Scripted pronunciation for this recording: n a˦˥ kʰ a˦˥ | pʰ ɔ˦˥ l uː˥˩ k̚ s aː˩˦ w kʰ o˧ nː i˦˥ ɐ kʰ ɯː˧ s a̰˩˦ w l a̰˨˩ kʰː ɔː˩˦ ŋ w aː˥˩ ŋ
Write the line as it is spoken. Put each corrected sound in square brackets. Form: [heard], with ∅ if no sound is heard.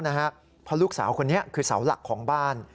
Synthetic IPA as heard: n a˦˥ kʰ a˦˥ | pʰ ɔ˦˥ l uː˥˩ k̚ s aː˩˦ w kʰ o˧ nː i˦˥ ɐ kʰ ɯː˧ s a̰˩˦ w l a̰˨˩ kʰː ɔː˩˦ ŋ [b] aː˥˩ [n]